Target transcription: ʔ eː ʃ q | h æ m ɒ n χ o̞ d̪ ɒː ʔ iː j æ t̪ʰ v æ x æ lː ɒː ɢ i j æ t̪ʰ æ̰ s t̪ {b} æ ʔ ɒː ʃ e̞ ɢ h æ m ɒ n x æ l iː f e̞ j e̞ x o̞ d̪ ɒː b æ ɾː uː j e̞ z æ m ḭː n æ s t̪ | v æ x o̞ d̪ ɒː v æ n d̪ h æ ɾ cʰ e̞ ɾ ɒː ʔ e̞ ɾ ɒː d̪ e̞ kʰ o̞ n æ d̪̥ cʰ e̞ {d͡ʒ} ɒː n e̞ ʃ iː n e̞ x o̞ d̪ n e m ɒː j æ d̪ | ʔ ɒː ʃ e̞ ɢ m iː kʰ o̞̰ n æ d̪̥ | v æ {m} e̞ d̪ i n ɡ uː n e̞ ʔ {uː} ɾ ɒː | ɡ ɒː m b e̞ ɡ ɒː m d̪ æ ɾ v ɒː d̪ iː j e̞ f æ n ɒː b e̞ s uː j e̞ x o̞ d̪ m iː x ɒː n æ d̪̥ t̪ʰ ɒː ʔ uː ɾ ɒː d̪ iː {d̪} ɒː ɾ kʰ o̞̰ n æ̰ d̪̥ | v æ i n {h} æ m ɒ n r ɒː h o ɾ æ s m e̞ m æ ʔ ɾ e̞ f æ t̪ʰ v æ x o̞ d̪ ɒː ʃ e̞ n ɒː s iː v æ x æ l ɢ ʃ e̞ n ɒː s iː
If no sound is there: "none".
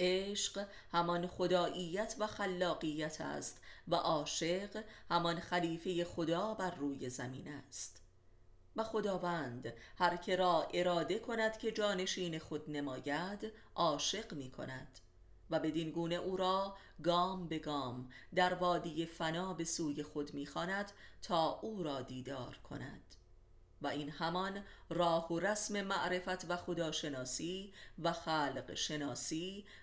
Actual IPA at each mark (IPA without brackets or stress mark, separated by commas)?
v, d͡ʒ, b, uː, d̪, h